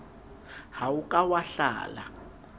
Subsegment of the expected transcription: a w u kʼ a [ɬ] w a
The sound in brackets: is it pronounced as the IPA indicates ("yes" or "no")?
no